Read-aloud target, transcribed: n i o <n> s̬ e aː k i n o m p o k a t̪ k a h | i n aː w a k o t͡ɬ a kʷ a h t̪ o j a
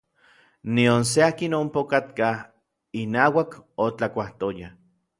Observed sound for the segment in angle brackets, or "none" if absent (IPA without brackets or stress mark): n